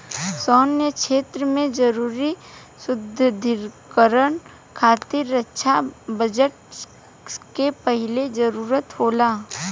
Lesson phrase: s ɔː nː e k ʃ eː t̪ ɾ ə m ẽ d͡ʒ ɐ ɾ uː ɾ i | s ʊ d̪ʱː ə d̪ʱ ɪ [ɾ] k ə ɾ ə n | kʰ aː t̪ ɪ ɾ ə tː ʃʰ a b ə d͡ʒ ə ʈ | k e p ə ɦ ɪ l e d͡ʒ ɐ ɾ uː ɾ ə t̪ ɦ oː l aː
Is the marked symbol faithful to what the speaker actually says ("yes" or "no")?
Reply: yes